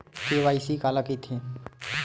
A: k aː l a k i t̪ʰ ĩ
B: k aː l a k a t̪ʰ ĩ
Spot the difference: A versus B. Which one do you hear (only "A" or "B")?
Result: A